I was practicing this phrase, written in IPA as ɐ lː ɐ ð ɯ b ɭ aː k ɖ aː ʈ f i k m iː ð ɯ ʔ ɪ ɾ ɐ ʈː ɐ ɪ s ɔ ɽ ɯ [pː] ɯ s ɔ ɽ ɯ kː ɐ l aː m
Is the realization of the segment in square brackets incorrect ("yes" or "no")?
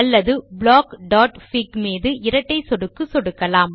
yes